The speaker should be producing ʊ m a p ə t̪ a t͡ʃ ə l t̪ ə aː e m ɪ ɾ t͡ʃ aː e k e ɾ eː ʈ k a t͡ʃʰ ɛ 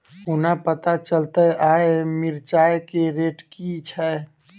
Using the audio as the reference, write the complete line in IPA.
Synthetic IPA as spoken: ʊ n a p ə t̪ a t͡ʃ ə l t̪ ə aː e m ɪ ɾ t͡ʃ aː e k e ɾ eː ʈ k i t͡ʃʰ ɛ